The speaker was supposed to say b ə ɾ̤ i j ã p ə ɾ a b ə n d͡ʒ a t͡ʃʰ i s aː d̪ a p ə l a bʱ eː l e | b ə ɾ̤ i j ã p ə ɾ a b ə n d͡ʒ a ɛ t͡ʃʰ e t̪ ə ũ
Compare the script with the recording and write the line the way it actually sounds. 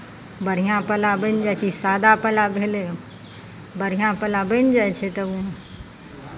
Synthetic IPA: b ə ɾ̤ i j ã p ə l a b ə n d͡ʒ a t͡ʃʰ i s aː d̪ a p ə l a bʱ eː l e | b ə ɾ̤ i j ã p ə l a b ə n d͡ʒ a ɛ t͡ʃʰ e t̪ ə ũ